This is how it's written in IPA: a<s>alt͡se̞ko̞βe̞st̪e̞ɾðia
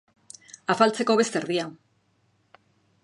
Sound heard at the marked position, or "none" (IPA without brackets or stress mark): f